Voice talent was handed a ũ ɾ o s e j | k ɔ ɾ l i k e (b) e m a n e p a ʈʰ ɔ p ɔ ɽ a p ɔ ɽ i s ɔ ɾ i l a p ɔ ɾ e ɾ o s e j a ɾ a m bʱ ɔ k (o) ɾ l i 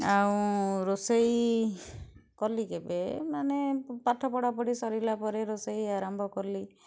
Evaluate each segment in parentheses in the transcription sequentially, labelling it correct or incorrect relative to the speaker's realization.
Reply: correct, incorrect

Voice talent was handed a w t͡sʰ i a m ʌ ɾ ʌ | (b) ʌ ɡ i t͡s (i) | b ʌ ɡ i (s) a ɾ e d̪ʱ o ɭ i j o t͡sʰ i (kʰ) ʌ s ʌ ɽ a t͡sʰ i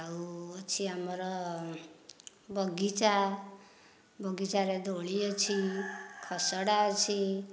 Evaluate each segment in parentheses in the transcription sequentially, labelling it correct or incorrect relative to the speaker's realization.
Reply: correct, incorrect, incorrect, correct

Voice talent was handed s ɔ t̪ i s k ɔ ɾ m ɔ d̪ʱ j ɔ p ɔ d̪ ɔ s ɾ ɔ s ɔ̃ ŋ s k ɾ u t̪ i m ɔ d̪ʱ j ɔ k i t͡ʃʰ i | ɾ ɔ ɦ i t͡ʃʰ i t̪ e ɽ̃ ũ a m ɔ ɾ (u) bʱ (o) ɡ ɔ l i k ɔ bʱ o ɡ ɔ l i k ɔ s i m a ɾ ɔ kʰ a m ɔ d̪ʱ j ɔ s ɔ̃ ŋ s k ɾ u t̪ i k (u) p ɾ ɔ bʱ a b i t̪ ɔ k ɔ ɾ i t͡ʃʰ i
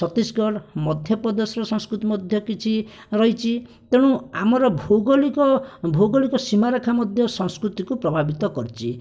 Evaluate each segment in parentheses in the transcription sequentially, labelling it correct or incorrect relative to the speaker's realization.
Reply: incorrect, correct, correct

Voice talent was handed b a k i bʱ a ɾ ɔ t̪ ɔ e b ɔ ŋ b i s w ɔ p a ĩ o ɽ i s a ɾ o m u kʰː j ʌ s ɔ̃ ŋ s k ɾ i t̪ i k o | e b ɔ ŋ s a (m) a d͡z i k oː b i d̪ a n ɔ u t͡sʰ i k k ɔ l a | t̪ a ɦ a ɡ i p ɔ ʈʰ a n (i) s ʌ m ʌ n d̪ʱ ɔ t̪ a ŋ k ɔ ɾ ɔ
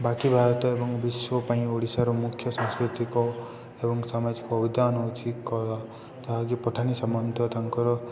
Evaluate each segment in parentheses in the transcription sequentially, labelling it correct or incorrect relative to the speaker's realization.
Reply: correct, correct

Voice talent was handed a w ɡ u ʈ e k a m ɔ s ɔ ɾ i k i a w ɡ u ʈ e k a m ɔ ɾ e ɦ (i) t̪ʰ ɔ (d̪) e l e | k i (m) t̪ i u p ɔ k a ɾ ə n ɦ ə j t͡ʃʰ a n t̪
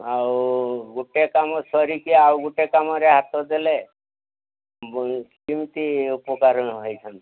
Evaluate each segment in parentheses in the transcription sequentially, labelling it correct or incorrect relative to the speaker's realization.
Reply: incorrect, correct, correct

